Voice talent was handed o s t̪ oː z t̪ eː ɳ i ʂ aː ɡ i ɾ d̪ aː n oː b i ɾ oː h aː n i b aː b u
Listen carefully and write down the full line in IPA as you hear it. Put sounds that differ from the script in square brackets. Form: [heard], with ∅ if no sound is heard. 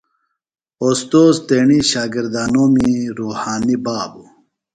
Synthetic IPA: o s t̪ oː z t̪ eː ɳ i [ɕ] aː ɡ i ɾ d̪ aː n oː [m] i ɾ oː h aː n i b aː b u